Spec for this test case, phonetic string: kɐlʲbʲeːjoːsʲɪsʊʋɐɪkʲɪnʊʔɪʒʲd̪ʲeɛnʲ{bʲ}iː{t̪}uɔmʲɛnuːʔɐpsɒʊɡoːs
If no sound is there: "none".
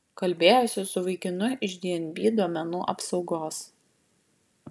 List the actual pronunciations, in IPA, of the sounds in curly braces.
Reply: bʲ, d̪

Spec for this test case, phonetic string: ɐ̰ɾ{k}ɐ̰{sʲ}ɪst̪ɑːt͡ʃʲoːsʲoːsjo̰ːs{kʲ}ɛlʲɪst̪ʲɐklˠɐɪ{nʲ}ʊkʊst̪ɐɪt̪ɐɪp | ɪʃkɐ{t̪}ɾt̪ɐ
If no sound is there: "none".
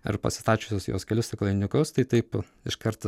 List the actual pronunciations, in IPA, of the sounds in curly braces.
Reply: p, sʲ, kʲ, nʲ, none

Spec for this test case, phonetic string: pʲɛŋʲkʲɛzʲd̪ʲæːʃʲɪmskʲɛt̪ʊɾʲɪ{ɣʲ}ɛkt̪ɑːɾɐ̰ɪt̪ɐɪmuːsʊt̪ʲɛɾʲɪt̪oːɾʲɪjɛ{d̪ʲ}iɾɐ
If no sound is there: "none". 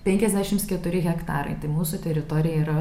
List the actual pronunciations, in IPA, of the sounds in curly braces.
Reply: ɣʲ, none

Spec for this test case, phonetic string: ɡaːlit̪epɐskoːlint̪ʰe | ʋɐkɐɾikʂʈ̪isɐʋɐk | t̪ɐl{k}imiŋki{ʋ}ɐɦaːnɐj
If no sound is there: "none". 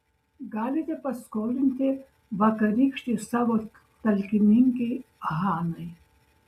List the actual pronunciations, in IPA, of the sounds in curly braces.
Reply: k, none

